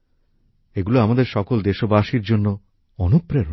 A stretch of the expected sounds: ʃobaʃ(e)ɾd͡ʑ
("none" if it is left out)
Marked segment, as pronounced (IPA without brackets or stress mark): i